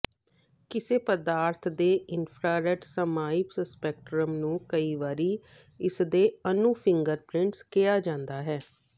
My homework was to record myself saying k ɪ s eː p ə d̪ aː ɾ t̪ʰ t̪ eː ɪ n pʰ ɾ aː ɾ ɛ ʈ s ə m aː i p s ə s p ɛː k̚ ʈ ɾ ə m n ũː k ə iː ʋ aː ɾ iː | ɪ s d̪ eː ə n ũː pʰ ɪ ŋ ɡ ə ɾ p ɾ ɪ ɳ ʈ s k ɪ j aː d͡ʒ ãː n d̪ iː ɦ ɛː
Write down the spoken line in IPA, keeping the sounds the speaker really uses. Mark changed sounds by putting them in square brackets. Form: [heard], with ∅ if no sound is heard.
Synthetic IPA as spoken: k ɪ s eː p ə d̪ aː ɾ t̪ʰ [d̪] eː ɪ n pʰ ɾ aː ɾ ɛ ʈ s ə m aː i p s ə s p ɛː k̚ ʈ ɾ ə m n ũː k ə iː ʋ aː ɾ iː | ɪ s d̪ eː ə n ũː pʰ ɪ ŋ ɡ ə ɾ p ɾ ɪ ɳ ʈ s k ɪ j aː d͡ʒ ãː n d̪ [aː] ɦ ɛː